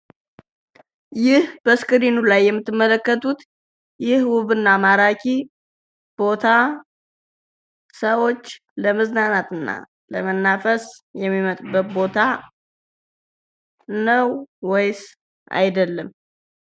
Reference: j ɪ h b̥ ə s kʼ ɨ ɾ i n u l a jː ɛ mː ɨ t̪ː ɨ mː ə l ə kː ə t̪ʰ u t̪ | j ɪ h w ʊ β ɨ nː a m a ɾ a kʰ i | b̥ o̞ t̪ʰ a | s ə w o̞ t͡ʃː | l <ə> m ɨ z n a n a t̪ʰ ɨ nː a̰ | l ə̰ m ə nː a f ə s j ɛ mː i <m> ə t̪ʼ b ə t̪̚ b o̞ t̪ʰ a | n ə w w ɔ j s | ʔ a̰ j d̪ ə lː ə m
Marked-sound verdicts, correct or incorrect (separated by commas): correct, correct